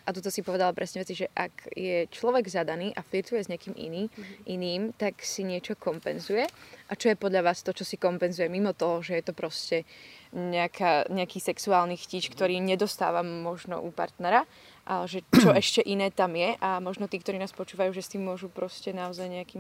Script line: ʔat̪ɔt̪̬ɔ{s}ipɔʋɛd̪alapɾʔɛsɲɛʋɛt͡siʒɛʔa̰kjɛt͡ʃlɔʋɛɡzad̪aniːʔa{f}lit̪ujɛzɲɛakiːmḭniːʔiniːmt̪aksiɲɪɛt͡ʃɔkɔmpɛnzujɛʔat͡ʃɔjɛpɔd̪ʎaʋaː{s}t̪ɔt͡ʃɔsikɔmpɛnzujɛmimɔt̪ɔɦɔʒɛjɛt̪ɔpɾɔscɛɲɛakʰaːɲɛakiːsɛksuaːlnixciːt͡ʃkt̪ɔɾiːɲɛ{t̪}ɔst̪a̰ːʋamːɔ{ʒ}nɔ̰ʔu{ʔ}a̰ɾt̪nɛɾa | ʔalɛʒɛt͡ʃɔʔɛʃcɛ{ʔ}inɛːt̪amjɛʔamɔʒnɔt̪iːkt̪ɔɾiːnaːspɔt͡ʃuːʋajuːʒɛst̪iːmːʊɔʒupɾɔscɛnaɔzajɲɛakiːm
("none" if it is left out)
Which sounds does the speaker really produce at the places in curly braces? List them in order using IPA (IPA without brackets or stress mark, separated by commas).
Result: s, f, s, d̪, ʒ, p, ʔ